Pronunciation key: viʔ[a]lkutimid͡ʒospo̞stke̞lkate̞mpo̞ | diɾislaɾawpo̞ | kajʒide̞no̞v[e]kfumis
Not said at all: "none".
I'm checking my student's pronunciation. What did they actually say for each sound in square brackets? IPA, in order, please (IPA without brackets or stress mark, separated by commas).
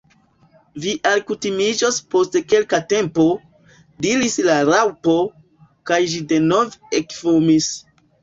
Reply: a, e